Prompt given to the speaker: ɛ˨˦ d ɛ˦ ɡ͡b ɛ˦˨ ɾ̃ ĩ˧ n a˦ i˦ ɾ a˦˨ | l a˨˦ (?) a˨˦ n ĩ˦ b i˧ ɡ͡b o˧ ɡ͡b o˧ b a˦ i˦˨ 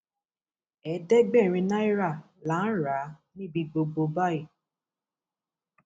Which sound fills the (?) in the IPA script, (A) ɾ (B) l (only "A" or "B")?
A